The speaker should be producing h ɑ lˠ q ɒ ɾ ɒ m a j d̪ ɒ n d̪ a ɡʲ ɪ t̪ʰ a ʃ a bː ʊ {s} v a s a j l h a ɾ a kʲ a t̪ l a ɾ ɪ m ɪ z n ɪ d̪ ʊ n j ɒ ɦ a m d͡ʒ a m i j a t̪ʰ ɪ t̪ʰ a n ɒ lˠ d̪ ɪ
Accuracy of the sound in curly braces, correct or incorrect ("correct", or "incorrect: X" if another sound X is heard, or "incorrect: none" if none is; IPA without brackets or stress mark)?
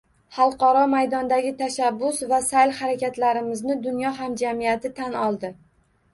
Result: correct